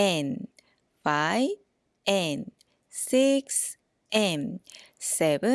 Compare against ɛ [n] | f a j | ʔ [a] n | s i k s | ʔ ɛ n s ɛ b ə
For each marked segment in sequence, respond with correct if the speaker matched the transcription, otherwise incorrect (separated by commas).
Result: correct, incorrect